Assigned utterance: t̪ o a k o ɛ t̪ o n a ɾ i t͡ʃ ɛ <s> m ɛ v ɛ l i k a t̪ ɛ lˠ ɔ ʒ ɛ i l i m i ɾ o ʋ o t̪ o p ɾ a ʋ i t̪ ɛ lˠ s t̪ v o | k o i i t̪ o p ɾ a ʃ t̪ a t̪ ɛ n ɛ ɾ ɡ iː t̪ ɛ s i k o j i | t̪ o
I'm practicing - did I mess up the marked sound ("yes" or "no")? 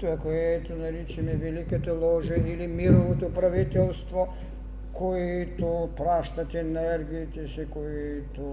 yes